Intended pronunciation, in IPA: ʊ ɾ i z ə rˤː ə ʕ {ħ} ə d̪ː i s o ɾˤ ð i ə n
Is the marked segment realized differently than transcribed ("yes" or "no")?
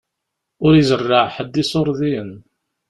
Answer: no